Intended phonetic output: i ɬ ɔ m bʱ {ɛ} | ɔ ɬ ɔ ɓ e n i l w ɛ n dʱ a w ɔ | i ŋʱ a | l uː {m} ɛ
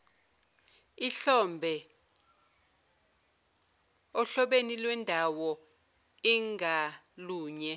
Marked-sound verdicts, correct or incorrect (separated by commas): correct, incorrect